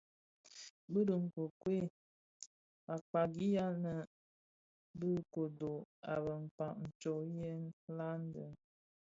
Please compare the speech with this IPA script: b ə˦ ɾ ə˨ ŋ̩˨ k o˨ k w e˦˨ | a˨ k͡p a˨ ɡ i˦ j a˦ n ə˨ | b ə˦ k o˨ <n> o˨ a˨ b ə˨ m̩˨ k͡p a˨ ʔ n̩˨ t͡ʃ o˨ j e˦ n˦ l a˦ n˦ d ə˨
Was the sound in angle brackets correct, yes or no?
no